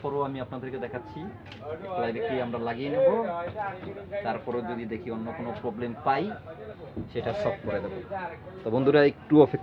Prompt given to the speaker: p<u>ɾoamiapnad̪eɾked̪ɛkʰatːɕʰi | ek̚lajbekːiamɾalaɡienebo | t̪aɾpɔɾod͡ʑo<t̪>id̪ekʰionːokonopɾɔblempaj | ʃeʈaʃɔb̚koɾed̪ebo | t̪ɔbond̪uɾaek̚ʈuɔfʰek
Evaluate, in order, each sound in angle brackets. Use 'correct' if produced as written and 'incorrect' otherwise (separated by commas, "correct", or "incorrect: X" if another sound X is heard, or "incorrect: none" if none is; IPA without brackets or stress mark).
incorrect: ɔ, incorrect: d̪